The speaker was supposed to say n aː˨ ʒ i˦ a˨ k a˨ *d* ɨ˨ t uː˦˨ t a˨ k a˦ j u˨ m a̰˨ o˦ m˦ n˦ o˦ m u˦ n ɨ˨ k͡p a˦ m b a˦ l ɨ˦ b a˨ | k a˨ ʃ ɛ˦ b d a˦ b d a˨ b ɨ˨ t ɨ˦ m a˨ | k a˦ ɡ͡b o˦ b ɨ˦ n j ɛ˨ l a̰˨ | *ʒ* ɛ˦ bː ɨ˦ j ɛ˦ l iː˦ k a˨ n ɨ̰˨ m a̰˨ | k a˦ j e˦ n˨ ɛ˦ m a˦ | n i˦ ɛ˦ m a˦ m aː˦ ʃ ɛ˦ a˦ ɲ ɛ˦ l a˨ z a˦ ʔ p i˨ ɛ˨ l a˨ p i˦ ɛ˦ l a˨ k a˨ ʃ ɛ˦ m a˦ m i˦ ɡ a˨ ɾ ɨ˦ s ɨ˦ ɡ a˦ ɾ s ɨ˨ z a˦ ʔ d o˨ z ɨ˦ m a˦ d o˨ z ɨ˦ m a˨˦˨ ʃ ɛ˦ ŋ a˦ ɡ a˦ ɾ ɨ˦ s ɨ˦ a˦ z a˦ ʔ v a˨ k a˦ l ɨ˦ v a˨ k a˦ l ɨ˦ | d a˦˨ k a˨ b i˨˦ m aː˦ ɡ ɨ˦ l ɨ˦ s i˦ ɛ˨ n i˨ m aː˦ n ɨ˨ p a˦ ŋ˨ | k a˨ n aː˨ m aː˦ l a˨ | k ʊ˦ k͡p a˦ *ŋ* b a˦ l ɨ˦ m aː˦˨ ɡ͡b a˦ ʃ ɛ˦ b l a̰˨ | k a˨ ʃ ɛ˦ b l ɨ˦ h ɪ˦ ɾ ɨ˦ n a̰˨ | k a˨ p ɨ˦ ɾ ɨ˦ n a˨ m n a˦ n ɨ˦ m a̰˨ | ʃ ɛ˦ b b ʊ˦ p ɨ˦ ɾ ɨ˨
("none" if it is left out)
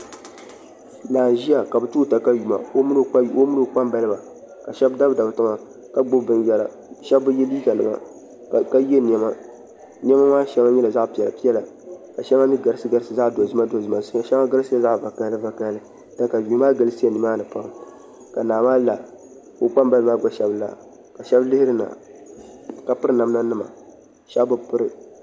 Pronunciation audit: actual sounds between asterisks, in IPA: b, ʃ, m

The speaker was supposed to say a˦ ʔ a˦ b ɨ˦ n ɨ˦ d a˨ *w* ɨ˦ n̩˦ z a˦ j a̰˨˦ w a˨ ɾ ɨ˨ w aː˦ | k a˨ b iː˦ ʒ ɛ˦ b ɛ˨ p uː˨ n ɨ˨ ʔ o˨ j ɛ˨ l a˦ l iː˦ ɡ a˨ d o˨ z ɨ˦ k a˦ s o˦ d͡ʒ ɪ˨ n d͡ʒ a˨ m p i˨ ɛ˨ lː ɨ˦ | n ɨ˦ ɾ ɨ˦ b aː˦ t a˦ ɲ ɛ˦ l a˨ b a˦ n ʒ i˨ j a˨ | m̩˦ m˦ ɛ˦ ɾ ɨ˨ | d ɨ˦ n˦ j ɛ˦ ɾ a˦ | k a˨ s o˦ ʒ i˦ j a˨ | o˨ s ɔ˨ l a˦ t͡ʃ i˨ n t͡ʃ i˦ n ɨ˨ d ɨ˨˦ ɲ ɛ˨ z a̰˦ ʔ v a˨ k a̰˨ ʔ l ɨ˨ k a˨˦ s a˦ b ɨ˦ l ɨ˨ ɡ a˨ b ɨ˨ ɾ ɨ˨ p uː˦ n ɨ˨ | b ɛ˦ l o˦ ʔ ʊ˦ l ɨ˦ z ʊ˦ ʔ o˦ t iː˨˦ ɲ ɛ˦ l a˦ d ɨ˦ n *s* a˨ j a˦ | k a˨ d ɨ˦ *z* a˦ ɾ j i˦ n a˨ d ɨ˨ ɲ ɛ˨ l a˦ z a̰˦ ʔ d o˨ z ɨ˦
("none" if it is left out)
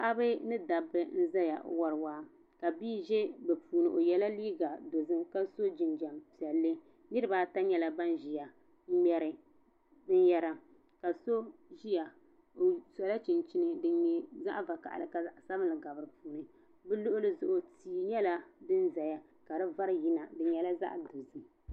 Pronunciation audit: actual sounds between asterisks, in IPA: b, z, v

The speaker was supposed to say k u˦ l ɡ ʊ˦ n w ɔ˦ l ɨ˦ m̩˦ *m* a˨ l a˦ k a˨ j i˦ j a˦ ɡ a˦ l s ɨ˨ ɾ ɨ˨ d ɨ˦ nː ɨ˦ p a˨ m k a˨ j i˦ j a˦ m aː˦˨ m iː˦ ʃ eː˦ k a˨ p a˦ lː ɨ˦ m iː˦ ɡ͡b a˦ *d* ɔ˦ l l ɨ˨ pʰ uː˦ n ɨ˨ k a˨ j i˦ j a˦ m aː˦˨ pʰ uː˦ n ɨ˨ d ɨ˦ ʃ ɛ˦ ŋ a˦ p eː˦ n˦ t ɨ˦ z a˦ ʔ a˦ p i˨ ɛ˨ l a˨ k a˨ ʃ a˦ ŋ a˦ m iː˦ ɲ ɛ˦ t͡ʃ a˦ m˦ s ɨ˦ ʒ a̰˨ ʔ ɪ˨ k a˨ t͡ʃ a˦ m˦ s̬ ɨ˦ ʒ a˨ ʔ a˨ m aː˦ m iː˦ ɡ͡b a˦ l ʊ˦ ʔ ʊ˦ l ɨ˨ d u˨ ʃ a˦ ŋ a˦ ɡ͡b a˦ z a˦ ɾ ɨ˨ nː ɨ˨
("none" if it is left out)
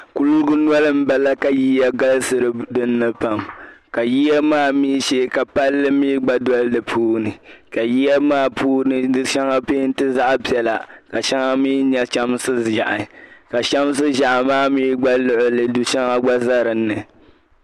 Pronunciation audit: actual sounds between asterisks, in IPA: b, d

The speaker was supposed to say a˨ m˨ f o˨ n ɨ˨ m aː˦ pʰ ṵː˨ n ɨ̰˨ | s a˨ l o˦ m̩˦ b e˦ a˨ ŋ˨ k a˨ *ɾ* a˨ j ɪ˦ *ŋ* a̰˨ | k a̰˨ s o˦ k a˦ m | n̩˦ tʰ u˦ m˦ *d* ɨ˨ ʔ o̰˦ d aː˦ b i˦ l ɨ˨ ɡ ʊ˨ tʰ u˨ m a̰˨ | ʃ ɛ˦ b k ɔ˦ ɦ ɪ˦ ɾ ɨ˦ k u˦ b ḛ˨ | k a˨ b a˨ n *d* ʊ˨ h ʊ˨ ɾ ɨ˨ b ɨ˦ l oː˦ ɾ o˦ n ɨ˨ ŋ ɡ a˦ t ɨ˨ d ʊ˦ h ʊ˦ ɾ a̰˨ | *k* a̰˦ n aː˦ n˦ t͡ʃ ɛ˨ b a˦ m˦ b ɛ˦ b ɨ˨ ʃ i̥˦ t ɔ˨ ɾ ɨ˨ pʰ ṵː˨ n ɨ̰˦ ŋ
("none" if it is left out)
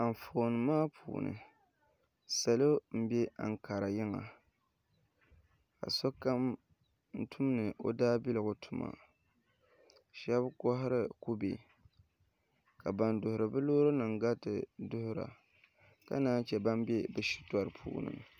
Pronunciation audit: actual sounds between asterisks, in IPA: ɾ, ŋ, n, d, k

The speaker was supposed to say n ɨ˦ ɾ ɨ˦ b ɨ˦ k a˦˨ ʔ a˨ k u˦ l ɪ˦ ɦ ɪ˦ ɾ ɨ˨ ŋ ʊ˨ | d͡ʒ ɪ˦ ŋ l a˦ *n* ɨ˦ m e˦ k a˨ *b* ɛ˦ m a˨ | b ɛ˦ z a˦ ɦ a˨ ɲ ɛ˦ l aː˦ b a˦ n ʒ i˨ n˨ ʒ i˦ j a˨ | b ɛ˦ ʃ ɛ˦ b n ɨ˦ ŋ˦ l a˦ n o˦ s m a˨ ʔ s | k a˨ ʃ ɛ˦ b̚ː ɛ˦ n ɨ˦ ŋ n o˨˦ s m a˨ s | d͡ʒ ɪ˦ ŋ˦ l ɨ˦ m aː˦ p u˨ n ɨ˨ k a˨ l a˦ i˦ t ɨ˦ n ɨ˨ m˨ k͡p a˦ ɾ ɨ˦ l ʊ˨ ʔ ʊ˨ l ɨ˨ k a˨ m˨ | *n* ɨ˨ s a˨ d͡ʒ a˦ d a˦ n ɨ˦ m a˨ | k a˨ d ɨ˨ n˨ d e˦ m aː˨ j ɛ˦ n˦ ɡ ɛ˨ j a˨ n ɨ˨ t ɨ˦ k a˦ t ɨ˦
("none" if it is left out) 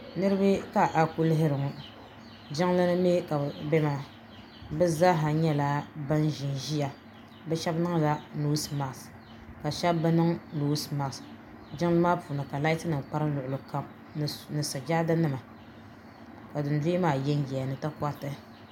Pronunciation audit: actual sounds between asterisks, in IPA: n, b, n

